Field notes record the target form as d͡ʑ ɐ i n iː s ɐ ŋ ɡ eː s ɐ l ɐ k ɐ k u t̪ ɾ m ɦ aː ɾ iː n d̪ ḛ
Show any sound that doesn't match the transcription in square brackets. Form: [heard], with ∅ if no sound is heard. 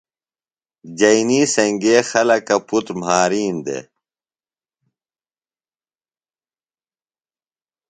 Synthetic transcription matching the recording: d͡ʑ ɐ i n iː s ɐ ŋ ɡ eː [x] ɐ l ɐ k ɐ [p] u t̪ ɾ m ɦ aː ɾ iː n d̪ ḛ